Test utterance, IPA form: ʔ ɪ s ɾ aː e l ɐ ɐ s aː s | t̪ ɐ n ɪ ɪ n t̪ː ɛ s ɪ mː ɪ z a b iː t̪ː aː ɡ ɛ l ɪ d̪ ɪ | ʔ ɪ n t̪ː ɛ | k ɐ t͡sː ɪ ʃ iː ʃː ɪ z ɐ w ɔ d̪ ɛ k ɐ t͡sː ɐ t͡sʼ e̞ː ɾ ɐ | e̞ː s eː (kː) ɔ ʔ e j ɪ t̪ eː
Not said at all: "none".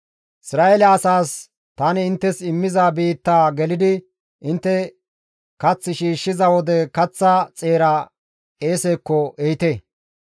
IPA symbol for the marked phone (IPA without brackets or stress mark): kː